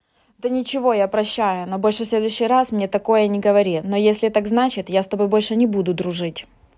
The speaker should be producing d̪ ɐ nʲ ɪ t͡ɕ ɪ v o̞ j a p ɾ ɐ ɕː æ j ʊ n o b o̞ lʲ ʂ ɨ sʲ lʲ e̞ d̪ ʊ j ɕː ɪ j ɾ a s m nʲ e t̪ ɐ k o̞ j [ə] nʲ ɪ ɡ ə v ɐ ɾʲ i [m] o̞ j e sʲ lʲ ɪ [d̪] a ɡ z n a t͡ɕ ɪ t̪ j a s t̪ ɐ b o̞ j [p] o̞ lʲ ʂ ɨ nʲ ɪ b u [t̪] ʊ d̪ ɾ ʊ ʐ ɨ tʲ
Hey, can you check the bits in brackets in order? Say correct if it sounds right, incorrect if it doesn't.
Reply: correct, incorrect: n, incorrect: t̪, incorrect: b, incorrect: d̪

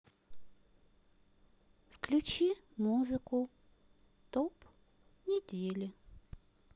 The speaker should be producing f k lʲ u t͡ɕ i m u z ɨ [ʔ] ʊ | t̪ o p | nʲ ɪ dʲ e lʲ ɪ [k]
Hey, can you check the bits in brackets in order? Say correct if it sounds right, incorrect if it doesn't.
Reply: incorrect: k, incorrect: none

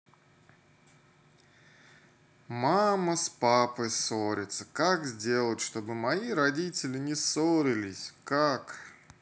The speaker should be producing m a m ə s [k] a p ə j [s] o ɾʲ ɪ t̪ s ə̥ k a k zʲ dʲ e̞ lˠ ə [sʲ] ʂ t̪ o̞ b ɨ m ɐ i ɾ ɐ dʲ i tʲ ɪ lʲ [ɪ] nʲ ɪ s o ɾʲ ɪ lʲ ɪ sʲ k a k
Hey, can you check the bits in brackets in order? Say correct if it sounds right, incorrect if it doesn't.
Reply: incorrect: p, correct, incorrect: tʲ, correct

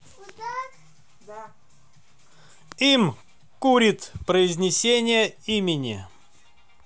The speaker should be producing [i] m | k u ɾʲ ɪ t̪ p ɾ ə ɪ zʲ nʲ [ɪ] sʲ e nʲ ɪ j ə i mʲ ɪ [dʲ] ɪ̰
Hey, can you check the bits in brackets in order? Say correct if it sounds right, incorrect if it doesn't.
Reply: correct, correct, incorrect: nʲ

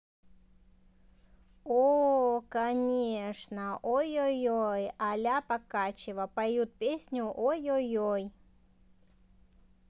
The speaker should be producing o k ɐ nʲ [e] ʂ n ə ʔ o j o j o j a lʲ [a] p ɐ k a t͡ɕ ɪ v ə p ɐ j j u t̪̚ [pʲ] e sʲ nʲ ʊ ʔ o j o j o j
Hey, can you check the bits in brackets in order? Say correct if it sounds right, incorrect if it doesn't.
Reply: correct, correct, correct

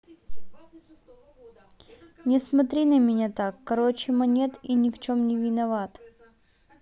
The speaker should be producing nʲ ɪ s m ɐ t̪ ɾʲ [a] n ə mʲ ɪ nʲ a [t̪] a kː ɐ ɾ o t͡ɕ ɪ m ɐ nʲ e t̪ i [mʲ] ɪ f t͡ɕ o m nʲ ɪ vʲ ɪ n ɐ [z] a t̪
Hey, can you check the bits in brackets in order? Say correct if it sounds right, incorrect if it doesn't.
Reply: incorrect: i, correct, incorrect: nʲ, incorrect: v

